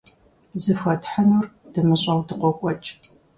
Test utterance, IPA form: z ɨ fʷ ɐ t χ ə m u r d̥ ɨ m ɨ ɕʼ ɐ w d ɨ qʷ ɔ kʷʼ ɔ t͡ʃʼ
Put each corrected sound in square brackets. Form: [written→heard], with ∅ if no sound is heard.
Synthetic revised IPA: z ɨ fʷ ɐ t [χ→ħ] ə [m→n] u r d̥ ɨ m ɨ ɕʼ ɐ w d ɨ qʷ ɔ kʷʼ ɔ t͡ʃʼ

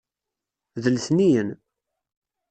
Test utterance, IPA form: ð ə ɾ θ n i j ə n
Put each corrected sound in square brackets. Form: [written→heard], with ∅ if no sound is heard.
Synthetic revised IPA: ð ə [ɾ→l] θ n i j ə n

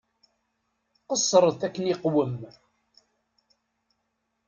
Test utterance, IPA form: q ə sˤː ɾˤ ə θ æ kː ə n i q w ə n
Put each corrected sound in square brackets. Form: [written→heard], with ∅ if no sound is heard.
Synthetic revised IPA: q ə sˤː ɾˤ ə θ æ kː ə n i q w ə [n→m]

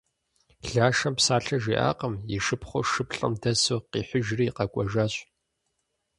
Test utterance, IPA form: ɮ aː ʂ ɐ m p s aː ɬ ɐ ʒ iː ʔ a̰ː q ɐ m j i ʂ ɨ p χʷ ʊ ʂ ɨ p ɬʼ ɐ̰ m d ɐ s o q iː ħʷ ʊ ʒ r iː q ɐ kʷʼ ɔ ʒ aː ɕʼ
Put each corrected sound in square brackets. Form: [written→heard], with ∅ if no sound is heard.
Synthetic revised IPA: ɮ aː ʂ ɐ m p s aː ɬ ɐ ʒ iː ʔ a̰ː q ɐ m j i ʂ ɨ p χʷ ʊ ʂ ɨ p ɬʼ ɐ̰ m d ɐ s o q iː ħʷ ʊ ʒ r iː q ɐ kʷʼ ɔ ʒ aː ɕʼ

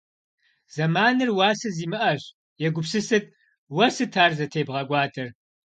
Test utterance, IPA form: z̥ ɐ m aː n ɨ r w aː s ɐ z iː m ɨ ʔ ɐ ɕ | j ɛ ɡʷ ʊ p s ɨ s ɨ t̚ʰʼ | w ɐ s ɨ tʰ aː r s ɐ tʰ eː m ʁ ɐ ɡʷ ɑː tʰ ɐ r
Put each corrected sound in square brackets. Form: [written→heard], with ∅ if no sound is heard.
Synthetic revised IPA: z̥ ɐ m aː n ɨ r w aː s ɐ z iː m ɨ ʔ ɐ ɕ | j ɛ ɡʷ ʊ p s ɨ s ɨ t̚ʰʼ | w ɐ s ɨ tʰ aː r [s→z] ɐ tʰ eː [m→b] ʁ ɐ ɡʷ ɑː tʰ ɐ r

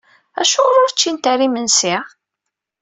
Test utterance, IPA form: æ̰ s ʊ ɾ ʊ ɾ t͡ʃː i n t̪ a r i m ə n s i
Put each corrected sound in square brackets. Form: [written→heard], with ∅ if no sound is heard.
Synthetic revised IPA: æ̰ [s→ʃ] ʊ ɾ ʊ ɾ t͡ʃː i n t̪ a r i m ə n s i

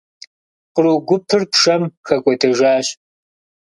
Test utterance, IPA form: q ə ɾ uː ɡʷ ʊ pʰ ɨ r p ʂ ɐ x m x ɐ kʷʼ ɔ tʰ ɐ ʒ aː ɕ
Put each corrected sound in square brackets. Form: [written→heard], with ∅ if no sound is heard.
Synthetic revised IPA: q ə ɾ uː ɡʷ ʊ pʰ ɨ r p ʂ ɐ [x→∅] m x ɐ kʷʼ ɔ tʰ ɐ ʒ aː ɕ

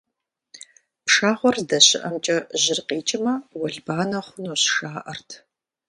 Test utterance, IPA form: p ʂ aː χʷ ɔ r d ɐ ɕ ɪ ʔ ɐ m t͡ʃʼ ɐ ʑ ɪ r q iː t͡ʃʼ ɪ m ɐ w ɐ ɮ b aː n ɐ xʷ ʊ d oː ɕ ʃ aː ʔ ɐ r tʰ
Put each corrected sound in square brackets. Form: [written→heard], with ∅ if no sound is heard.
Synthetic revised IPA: p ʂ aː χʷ ɔ r d ɐ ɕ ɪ ʔ ɐ m t͡ʃʼ ɐ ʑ ɪ r q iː t͡ʃʼ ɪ m ɐ w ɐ ɮ b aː n ɐ [xʷ→χʷ] ʊ [d→n] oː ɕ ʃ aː ʔ ɐ r tʰ

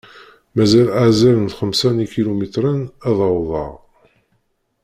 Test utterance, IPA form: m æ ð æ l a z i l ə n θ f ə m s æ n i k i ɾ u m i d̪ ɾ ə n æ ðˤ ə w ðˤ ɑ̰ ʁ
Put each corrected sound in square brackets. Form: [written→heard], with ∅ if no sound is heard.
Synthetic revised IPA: m æ [ð→z] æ l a z [i→æ] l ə n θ [f→χ] ə m s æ n i k i [ɾ→l] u m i [d̪→t̪] ɾ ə n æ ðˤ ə w ðˤ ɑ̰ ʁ

